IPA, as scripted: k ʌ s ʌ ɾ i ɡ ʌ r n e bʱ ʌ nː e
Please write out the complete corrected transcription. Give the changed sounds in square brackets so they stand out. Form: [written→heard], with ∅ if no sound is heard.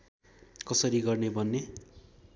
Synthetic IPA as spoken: k ʌ s ʌ ɾ i ɡ ʌ r n e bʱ ʌ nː e